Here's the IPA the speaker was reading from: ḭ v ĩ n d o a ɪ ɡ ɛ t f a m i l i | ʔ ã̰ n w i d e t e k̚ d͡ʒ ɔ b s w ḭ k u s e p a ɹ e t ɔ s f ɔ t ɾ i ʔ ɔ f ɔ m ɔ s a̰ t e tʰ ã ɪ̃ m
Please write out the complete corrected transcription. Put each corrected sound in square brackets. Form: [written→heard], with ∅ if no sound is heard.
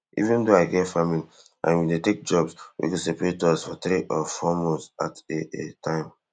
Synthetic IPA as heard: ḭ v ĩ n d o a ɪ ɡ ɛ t f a m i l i | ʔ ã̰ n w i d e t e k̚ d͡ʒ ɔ b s w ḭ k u s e p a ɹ e t ɔ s f ɔ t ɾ i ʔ ɔ f ɔ m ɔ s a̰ t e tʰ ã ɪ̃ m